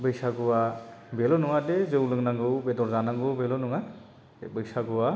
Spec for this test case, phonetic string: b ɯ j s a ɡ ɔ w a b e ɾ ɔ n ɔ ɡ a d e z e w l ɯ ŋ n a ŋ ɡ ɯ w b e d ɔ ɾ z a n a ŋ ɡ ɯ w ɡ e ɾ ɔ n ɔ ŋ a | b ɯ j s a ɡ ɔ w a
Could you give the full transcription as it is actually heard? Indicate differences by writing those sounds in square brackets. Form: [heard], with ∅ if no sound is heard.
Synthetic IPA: b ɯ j s a ɡ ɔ w a b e [l] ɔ n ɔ [ŋ] a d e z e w l ɯ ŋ n a ŋ ɡ ɯ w b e d ɔ ɾ z a n a ŋ ɡ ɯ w [b] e [l] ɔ n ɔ ŋ a | b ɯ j s a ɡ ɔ w a